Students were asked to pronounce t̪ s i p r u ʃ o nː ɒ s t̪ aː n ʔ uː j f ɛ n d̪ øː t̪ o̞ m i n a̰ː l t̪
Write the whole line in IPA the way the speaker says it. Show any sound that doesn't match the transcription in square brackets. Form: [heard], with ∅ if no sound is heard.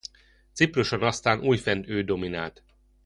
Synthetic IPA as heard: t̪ s i p r u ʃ o [n] ɒ s t̪ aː n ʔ uː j f ɛ n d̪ øː [d̪] o̞ m i n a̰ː l t̪